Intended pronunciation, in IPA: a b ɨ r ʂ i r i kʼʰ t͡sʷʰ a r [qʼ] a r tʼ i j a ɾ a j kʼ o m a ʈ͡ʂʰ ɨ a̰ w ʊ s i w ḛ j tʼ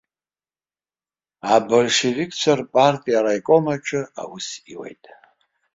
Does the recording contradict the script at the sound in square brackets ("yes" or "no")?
yes